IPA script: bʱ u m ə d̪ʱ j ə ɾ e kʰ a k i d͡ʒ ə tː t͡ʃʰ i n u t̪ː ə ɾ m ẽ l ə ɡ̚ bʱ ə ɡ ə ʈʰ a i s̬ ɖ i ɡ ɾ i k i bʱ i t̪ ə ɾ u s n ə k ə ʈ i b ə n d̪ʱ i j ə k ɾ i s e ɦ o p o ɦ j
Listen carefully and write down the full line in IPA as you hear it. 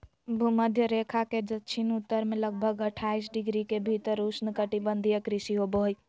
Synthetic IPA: bʱ u m ə d̪ʱ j ə ɾ e kʰ a k e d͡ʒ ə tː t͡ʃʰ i n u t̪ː ə ɾ m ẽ l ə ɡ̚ bʱ ə ɡ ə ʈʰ a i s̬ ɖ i ɡ ɾ i k e bʱ i t̪ ə ɾ u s n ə k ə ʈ i b ə n d̪ʱ i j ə k ɾ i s i ɦ o b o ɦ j